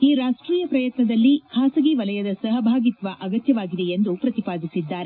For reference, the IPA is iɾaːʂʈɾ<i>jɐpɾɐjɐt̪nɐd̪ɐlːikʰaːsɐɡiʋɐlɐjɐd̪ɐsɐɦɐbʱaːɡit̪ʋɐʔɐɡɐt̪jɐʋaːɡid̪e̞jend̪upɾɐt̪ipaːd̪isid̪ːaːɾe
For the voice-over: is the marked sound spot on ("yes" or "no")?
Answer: no